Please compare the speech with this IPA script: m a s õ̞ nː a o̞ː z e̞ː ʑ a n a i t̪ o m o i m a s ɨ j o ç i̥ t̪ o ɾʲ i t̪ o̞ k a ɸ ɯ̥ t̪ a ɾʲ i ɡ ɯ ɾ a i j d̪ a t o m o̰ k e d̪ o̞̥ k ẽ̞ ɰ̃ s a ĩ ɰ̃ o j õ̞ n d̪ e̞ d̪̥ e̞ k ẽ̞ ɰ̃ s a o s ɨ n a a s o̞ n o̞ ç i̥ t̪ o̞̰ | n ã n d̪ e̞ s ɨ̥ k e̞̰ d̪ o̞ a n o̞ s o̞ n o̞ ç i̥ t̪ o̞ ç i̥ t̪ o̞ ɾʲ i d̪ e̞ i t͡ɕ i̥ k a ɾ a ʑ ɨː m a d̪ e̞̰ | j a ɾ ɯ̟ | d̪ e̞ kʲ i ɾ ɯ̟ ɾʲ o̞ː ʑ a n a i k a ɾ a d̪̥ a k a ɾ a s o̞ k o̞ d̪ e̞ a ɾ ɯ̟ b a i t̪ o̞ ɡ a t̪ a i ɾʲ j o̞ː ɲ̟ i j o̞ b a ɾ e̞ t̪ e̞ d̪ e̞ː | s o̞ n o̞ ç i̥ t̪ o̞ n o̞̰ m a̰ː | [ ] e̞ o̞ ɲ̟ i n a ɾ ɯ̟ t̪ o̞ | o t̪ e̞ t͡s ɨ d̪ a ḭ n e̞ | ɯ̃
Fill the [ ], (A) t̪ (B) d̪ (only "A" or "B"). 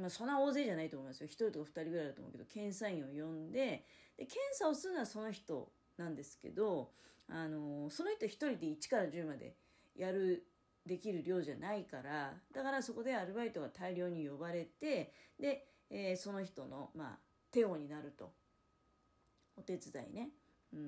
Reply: A